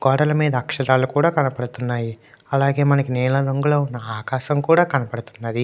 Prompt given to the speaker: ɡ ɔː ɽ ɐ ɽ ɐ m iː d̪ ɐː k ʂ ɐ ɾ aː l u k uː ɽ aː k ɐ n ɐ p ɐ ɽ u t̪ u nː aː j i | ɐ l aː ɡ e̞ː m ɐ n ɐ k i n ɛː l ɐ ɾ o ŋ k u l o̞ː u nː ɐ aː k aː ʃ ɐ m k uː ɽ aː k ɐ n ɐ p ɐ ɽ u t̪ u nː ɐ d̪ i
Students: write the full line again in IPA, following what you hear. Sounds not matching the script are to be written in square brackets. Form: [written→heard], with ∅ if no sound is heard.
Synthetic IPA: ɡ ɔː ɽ ɐ [ɽ→l] ɐ m iː d̪ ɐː k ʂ ɐ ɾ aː l u k uː ɽ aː k ɐ n ɐ p ɐ ɽ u t̪ u nː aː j i | ɐ l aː ɡ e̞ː m ɐ n ɐ k i n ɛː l ɐ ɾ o ŋ [k→ɡ] u l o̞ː u nː ɐ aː k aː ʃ ɐ m k uː ɽ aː k ɐ n ɐ p ɐ ɽ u t̪ u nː ɐ d̪ i